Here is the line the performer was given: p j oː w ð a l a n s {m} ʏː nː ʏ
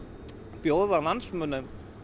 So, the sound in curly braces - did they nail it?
yes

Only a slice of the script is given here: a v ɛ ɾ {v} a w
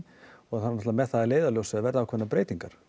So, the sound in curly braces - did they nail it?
no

